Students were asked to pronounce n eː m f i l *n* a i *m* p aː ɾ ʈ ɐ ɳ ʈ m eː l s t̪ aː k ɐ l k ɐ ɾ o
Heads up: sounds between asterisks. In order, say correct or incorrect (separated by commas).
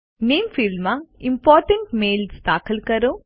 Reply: incorrect, correct